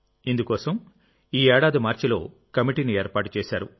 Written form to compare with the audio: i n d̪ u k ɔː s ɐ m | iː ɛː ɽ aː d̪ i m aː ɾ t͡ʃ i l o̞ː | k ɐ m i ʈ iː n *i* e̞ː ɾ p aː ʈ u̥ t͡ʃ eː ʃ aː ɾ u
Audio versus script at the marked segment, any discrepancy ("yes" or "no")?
no